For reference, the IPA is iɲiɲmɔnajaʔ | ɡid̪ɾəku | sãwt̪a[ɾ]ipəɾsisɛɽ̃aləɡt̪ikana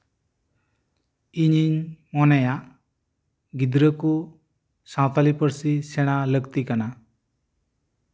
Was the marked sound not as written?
yes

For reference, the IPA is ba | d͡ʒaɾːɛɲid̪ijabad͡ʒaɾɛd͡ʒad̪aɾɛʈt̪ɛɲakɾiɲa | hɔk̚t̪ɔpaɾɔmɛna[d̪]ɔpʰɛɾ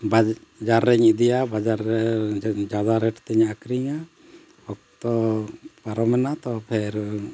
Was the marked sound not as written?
yes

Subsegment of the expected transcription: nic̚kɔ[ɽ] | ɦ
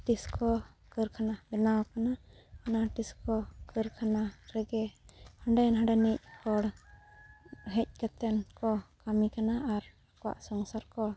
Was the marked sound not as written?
no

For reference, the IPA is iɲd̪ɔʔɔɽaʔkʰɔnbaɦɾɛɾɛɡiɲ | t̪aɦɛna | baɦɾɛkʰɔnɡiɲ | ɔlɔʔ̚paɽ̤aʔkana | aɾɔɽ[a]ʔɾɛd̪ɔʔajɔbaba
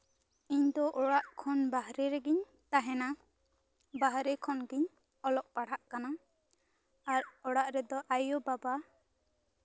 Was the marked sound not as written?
no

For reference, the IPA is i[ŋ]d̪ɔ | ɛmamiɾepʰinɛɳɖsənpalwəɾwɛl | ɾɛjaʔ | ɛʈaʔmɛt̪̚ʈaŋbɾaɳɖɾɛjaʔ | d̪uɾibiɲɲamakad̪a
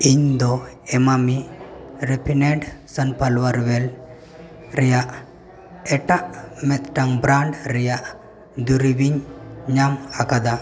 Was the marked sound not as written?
yes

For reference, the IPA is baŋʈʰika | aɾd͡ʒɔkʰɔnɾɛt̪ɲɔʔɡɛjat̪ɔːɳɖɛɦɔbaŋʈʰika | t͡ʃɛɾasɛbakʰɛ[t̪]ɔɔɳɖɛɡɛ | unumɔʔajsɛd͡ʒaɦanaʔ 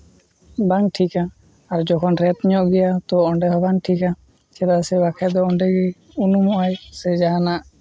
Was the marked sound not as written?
yes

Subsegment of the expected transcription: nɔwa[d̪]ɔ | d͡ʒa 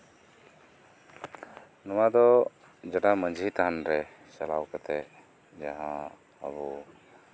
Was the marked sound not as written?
no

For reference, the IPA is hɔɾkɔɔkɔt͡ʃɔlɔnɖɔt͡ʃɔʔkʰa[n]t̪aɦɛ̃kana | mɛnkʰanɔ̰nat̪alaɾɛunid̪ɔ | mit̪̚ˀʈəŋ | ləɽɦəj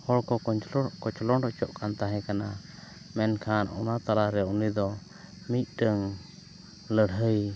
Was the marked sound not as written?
no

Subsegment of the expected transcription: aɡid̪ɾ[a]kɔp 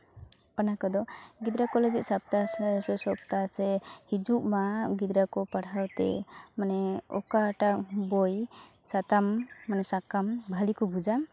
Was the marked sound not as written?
no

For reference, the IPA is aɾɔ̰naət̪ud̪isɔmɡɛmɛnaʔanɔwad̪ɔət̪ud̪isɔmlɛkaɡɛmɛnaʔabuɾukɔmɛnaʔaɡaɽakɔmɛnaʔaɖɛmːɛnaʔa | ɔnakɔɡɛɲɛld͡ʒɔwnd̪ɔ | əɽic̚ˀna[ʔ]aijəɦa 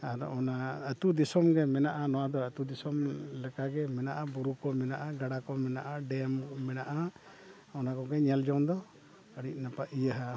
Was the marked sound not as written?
yes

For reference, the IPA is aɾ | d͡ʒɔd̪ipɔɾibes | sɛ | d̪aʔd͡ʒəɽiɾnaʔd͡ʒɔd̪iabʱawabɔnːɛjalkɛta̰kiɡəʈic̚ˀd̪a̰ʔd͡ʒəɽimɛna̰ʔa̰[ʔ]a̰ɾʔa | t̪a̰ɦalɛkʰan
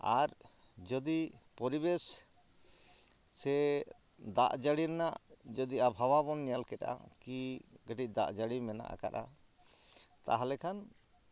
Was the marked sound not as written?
yes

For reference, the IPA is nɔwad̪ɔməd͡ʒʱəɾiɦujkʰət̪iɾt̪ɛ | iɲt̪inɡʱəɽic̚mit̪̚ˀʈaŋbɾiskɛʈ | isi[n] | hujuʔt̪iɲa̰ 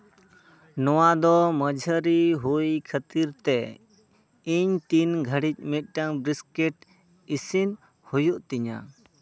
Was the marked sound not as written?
no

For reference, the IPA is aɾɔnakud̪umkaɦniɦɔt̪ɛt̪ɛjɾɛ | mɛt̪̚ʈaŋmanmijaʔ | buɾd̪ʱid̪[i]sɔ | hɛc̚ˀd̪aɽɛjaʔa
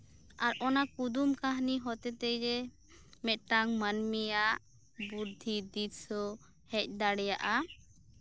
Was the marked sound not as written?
no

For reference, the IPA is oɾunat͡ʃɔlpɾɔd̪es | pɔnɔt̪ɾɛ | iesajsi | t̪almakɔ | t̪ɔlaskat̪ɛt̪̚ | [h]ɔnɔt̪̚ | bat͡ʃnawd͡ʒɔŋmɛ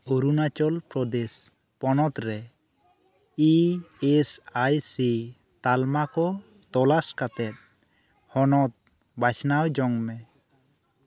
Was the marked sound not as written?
no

